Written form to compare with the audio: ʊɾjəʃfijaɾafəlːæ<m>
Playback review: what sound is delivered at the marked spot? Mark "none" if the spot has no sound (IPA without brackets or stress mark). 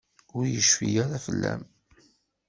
m